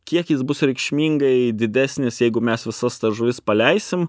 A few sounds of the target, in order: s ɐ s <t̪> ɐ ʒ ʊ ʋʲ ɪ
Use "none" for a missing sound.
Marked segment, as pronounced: t̪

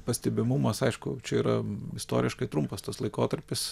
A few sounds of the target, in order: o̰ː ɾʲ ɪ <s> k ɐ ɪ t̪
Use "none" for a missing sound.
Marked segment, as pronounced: ʃ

